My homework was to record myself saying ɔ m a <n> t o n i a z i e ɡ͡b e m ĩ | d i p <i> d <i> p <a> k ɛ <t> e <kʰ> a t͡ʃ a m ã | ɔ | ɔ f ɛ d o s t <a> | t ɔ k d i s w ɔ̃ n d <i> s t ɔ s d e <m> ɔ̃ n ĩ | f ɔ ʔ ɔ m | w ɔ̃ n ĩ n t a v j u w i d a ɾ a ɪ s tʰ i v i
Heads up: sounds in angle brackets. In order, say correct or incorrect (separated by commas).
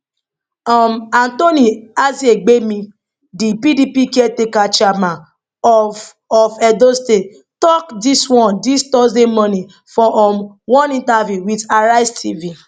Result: correct, correct, correct, incorrect, correct, incorrect, incorrect, correct, correct